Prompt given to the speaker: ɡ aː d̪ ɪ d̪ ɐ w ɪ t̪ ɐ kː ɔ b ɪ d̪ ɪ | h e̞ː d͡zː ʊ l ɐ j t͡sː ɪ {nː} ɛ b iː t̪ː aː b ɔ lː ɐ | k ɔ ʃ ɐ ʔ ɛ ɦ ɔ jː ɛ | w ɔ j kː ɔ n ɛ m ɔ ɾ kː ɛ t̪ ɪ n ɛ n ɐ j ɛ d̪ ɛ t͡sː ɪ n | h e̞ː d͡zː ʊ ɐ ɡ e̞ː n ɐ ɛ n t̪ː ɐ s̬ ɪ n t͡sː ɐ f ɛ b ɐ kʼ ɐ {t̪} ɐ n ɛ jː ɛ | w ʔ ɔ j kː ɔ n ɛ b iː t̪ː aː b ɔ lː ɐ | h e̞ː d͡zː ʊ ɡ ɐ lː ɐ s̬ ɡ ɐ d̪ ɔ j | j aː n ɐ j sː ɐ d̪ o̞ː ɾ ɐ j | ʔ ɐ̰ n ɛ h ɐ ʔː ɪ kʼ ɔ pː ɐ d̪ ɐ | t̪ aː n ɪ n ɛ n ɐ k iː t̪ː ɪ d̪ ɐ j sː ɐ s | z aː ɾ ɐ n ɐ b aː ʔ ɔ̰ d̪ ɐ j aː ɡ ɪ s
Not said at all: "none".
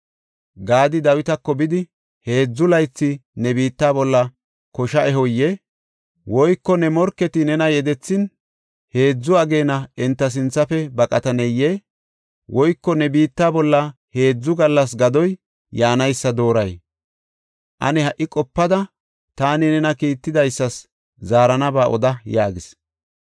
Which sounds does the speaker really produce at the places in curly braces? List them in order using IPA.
n, t̪

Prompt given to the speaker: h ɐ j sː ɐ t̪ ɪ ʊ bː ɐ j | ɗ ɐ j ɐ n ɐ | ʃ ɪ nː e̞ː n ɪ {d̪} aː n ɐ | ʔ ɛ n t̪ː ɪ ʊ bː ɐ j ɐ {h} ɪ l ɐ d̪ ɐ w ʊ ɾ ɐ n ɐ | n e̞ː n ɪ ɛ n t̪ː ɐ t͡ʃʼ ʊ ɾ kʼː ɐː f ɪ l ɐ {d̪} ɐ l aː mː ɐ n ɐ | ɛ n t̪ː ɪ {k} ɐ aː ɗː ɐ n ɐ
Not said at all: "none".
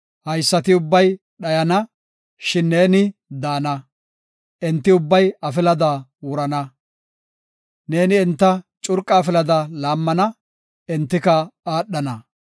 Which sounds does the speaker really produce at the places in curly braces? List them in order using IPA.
d̪, f, d̪, k

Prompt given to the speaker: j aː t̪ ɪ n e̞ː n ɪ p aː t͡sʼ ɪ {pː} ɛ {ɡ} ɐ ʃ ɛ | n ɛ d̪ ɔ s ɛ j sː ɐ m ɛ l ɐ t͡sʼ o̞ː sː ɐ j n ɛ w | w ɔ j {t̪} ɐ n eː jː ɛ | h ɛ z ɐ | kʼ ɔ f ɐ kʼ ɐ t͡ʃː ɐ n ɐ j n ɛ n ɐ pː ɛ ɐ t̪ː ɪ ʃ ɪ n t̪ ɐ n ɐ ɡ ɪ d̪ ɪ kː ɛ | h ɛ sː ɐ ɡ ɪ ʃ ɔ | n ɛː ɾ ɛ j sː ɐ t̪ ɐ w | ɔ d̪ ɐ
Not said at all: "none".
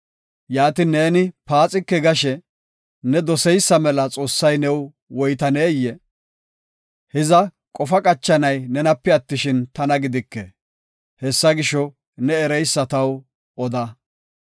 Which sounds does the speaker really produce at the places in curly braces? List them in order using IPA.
kː, ɡ, t̪

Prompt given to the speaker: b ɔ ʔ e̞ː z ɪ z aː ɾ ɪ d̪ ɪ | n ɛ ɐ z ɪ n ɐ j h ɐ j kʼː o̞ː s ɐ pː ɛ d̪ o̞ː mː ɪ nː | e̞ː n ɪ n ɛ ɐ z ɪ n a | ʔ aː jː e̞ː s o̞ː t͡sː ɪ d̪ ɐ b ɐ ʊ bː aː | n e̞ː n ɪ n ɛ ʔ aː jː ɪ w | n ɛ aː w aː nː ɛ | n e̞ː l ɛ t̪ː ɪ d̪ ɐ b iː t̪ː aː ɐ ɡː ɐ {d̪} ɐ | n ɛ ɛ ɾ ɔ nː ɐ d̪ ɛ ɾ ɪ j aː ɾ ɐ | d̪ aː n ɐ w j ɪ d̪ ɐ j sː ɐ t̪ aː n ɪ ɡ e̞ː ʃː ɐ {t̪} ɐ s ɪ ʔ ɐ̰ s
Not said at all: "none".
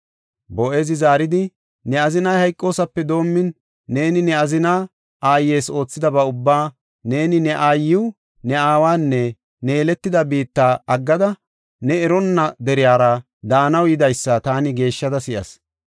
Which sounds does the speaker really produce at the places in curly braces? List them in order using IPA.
d̪, d̪

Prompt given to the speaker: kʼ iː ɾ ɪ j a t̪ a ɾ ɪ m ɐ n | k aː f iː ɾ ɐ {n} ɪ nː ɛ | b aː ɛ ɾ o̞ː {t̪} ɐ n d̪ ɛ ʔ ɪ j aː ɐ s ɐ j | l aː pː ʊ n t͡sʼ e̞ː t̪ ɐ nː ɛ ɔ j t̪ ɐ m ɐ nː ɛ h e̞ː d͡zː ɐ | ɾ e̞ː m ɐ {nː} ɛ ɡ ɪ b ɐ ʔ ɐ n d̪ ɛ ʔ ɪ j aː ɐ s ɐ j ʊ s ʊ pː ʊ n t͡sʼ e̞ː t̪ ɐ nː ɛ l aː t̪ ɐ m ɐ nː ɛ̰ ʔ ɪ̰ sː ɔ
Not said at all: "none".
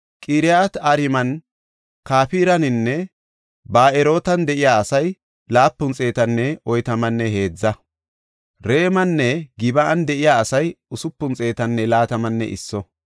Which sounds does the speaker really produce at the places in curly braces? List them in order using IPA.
n, t̪, nː

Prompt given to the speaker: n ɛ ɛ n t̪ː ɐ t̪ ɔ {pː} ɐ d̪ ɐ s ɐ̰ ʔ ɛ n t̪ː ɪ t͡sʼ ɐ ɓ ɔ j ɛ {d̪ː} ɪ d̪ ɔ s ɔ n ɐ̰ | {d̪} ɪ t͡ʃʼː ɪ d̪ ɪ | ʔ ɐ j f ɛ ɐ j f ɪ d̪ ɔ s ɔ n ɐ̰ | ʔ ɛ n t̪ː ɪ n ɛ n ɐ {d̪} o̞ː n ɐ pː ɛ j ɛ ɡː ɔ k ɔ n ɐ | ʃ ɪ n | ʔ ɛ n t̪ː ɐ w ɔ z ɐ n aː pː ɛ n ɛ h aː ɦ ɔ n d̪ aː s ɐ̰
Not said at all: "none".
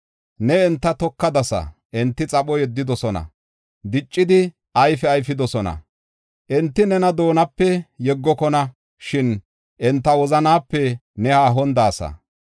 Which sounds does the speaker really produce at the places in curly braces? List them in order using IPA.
kː, d̪ː, d̪, d̪

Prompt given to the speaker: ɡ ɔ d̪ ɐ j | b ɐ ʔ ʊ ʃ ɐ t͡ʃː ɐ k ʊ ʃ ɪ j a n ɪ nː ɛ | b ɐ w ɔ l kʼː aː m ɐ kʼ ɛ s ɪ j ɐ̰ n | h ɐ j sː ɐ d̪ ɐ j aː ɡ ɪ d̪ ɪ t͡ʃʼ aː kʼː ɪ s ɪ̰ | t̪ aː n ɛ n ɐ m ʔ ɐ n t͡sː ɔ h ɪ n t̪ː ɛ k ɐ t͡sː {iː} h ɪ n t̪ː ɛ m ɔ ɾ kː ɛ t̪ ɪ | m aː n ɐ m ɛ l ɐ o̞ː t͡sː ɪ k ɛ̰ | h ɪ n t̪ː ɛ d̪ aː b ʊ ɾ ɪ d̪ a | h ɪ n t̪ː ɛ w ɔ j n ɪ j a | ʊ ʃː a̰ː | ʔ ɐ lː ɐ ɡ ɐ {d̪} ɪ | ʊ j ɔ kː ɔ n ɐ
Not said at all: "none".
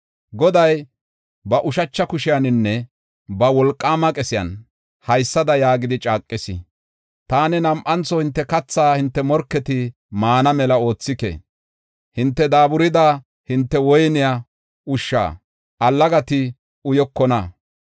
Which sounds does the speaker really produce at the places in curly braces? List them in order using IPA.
aː, t̪

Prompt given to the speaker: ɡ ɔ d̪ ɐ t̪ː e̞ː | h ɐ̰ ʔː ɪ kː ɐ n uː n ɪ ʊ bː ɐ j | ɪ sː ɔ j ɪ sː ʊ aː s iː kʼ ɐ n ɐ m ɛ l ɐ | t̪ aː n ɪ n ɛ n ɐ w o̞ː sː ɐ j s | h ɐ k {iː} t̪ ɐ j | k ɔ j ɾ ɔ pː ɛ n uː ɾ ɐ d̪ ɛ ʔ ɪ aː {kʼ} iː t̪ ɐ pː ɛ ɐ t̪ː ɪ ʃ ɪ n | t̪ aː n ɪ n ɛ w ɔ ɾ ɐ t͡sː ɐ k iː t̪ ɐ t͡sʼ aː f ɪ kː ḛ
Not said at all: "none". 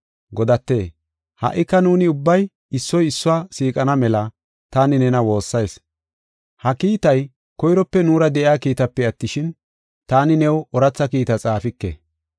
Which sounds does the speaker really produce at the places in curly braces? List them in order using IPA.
iː, k

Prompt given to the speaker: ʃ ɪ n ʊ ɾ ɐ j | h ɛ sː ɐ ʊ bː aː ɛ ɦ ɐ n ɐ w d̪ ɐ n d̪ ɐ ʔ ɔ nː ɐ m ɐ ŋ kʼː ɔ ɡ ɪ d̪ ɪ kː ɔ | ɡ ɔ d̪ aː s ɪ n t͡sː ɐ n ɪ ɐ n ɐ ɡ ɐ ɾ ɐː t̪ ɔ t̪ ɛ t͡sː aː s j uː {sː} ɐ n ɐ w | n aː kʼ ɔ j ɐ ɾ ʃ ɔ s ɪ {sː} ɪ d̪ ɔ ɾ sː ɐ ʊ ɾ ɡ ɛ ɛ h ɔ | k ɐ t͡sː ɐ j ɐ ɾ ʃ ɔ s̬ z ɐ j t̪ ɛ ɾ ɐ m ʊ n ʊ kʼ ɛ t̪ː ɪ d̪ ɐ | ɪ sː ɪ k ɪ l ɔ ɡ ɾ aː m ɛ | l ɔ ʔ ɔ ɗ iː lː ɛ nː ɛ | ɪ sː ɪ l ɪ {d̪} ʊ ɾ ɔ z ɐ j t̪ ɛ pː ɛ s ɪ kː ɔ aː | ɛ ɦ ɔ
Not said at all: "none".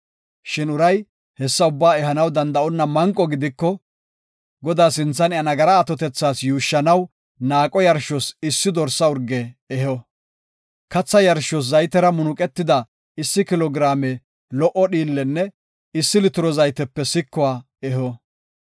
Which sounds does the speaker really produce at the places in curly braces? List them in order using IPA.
ʃː, sː, t̪

